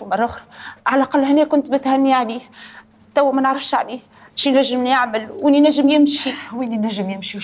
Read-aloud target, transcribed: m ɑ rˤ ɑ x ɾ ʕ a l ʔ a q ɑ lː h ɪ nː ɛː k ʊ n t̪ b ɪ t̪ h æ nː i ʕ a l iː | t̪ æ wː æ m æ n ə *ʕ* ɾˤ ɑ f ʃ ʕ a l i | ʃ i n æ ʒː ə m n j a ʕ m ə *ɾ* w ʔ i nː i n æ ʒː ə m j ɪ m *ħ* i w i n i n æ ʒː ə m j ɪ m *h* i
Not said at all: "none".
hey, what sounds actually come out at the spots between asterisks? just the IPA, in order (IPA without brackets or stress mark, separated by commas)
ʕ, l, ʃ, ʃ